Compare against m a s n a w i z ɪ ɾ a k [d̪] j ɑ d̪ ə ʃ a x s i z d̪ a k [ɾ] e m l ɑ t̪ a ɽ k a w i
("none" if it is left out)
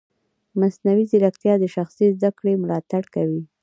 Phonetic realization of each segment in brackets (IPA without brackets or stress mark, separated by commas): t̪, ɽ